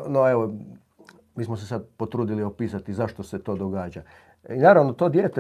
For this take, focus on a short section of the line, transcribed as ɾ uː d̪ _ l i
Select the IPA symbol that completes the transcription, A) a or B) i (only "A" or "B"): B